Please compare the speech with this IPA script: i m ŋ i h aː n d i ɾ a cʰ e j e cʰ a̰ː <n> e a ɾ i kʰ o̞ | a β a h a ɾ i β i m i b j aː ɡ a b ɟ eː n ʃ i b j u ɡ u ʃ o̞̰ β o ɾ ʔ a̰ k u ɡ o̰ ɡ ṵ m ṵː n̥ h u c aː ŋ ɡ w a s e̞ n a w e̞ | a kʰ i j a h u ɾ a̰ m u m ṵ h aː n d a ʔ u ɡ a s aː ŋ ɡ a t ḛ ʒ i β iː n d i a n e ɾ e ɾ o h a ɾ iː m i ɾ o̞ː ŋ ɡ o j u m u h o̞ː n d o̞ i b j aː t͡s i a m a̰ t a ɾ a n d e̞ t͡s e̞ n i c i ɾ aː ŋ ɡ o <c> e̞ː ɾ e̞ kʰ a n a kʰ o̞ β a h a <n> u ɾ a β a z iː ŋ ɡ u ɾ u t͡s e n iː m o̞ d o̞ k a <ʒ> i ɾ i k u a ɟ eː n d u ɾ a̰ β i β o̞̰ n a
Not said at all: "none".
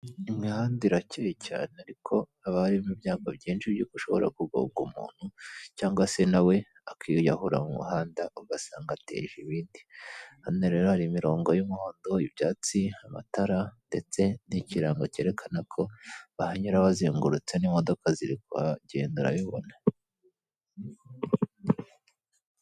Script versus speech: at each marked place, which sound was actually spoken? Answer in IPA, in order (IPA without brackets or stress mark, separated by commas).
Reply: n, c, ɲ, z